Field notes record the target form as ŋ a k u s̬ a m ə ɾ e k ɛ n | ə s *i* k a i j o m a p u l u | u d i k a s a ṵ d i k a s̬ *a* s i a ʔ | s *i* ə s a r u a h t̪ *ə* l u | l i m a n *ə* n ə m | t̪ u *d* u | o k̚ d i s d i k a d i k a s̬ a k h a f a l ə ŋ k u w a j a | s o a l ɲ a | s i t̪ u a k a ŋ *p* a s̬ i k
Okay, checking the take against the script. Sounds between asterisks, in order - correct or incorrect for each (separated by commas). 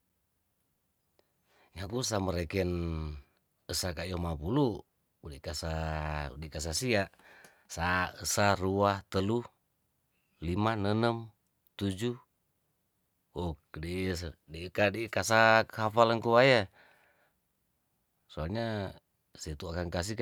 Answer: incorrect, correct, incorrect, correct, correct, incorrect, incorrect